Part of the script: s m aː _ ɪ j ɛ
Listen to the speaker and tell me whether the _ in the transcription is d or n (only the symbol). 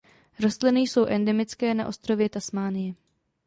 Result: n